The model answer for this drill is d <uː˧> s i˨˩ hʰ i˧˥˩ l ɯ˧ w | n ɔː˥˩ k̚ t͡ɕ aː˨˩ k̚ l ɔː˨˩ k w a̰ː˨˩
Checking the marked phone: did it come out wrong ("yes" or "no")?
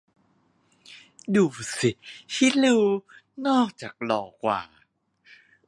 yes